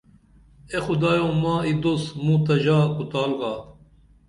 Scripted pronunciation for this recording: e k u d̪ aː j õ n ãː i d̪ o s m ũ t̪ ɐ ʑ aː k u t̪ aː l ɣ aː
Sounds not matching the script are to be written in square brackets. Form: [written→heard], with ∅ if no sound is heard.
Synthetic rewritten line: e [k→x] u d̪ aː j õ [n→m] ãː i d̪ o s m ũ t̪ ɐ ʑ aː k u t̪ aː l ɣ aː